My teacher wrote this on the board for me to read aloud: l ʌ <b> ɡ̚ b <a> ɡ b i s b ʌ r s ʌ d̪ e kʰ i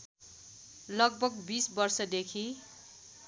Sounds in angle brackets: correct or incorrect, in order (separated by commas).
incorrect, incorrect